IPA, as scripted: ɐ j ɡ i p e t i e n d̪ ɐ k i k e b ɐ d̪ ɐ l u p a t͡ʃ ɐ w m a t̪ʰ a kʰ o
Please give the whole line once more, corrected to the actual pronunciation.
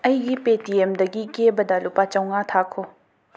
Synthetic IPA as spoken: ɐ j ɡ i p e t i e m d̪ ɐ ɡ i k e b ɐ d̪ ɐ l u p a t͡ʃ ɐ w ŋ a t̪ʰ a kʰ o